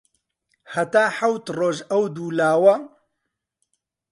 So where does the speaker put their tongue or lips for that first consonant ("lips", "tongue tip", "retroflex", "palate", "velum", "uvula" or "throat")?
throat